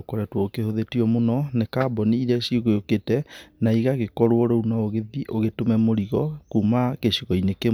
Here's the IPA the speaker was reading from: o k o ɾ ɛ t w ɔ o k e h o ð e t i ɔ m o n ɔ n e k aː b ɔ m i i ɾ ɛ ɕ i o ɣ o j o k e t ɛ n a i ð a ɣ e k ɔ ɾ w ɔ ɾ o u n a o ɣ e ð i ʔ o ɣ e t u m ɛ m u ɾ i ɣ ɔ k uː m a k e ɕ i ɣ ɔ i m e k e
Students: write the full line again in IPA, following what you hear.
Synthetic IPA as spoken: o k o ɾ ɛ t w ɔ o k e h o ð e t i ɔ m o n ɔ n e k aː b ɔ n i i ɾ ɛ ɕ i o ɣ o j o k e t ɛ n a i ɣ a ɣ e k ɔ ɾ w ɔ ɾ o u n a o ɣ e ð i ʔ o ɣ e t o m ɛ m o ɾ i ɣ ɔ k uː m a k e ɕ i ɣ ɔ i n e k e